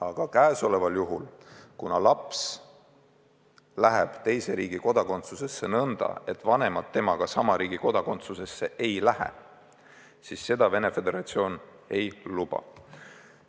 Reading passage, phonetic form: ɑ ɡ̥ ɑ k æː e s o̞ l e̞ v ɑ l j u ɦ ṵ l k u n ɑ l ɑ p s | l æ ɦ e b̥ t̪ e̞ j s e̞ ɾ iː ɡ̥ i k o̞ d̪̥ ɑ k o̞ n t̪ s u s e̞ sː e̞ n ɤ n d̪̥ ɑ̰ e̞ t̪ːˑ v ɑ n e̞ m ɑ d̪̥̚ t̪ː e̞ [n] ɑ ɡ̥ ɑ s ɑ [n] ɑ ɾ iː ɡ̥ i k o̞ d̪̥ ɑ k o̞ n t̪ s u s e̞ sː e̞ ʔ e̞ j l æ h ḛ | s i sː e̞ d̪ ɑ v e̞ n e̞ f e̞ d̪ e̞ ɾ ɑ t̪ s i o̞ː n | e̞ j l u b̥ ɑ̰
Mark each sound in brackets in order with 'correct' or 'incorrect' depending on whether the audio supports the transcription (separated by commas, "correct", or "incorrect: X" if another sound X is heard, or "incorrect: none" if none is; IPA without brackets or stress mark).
incorrect: m, incorrect: m